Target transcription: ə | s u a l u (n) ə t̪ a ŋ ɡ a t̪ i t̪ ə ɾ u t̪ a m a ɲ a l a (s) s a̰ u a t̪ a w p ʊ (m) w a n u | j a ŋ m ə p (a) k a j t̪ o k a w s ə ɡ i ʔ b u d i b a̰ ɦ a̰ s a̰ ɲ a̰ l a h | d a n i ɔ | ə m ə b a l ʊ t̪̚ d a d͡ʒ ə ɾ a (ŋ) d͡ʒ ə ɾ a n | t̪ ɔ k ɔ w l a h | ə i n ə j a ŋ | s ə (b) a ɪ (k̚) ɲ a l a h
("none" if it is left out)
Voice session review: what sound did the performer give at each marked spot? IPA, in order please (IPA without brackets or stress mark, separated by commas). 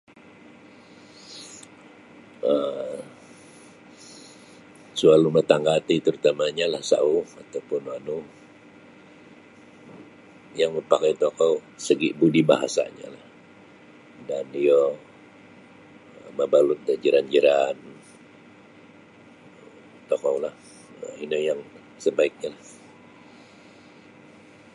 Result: m, h, n, a, n, b, k̚